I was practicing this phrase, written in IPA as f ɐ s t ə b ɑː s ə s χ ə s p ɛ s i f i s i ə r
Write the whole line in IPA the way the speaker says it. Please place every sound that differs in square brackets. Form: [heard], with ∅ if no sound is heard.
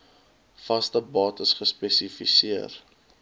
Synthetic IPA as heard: f ɐ s t ə b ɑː [t] ə s χ ə s p ɛ s i f i s i ə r